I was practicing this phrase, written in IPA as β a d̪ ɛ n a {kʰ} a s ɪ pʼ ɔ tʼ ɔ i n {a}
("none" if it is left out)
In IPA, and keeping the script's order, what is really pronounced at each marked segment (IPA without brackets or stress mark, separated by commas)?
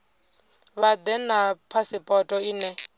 pʰ, ɛ